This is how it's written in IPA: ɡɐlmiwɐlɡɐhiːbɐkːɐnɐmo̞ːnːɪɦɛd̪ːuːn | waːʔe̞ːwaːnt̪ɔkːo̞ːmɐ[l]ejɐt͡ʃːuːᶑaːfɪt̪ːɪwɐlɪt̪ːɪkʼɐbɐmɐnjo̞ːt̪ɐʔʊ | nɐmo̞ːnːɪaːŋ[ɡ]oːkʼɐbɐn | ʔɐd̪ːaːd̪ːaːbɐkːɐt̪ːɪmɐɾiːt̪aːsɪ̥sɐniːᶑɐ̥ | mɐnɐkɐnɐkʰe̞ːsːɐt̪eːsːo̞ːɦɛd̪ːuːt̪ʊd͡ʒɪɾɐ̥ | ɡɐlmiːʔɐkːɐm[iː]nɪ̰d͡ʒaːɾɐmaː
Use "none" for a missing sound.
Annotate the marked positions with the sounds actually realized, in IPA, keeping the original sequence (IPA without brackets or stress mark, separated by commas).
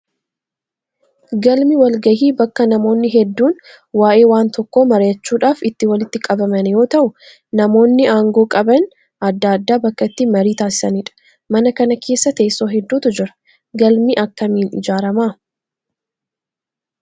ɾ, ɡ, iː